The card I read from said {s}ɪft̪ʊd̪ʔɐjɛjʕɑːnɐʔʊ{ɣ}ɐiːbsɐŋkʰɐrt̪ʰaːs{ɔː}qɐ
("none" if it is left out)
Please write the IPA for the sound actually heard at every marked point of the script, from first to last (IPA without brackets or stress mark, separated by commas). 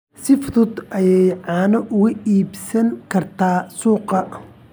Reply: s, ɣ, uː